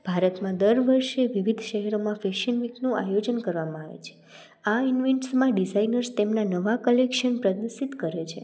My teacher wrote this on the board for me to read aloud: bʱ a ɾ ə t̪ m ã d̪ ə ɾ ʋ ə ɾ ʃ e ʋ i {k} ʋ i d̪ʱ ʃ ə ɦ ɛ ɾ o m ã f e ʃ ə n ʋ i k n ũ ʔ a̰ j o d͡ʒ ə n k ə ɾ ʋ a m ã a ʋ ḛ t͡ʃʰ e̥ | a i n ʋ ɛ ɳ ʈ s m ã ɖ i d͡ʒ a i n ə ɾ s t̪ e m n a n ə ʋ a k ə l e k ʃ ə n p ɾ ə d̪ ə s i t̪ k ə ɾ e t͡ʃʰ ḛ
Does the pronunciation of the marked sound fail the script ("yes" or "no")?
yes